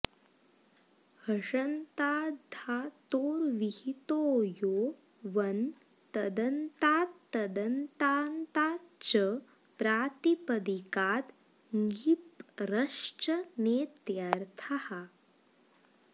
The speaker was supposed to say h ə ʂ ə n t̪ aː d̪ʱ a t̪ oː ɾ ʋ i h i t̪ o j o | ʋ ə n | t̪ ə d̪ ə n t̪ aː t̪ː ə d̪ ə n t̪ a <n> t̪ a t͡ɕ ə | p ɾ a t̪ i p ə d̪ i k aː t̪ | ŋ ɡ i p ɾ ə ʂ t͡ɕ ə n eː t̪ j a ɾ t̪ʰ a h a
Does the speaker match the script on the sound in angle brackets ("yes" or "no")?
yes